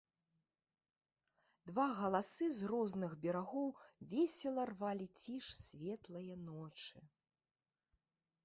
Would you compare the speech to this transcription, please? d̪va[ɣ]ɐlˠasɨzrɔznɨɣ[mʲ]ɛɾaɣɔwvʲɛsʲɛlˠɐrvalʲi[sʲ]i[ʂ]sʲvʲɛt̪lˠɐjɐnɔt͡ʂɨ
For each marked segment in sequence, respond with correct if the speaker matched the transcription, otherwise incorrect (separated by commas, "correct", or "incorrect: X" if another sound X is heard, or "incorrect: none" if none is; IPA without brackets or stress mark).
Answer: correct, incorrect: bʲ, incorrect: t͡sʲ, correct